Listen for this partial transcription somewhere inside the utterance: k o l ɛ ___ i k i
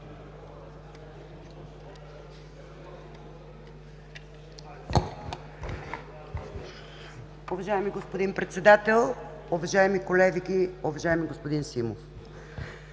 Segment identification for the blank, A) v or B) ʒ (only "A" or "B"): A